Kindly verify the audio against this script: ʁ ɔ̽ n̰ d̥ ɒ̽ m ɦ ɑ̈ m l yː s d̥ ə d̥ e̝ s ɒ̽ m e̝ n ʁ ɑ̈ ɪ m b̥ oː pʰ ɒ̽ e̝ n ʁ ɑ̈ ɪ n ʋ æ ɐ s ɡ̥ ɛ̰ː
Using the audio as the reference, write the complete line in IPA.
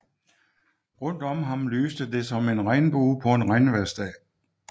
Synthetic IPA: ʁ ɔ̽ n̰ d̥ ɒ̽ m ɦ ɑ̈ m l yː s d̥ ə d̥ e̝ s ɒ̽ m e̝ n ʁ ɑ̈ ɪ n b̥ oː pʰ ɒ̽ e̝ n ʁ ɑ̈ ɪ n ʋ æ ɐ s d̥ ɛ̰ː